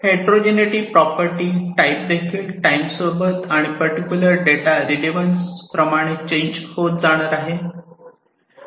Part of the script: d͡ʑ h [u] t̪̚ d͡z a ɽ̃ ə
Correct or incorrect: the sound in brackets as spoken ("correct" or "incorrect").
incorrect